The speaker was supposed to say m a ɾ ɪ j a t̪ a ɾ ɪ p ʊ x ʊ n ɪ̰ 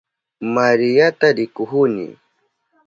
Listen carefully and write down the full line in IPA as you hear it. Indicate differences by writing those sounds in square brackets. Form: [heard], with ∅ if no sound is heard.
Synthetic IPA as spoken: m a ɾ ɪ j a t̪ a ɾ ɪ [k] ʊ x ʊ n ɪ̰